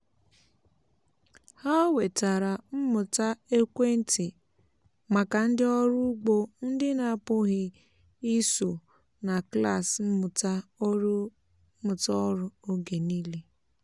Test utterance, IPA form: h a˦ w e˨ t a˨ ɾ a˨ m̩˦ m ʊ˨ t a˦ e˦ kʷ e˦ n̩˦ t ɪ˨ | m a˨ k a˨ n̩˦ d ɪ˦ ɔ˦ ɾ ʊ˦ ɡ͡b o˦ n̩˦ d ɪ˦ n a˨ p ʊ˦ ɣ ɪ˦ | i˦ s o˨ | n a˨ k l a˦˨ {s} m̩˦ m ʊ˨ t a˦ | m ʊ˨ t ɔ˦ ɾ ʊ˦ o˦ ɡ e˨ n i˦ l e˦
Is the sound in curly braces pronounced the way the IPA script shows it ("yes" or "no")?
yes